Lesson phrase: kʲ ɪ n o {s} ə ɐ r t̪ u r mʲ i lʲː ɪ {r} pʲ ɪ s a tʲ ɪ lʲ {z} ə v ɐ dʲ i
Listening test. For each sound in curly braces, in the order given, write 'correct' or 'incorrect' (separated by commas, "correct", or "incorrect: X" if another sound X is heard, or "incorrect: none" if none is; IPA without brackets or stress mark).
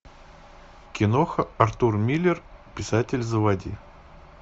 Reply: incorrect: x, correct, correct